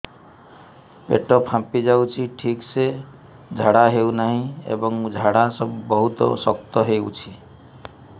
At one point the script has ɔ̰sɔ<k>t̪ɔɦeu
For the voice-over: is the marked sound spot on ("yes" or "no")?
yes